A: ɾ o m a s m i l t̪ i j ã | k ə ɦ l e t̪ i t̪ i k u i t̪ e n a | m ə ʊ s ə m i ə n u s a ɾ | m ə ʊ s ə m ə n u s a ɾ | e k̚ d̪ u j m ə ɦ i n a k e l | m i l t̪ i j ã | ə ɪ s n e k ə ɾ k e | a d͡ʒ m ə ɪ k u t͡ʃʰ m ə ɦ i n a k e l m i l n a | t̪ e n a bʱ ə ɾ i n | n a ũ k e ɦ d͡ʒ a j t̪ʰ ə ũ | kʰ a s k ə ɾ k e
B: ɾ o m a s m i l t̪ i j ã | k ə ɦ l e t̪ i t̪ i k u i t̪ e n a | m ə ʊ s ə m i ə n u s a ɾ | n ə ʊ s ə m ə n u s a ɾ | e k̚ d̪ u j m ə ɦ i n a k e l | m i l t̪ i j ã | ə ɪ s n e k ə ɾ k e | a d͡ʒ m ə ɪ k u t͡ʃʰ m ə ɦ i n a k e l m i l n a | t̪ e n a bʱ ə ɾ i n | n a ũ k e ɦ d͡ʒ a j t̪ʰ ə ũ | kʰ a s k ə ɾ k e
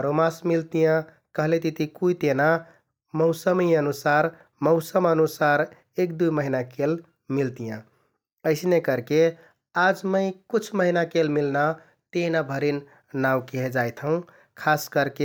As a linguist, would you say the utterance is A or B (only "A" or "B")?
A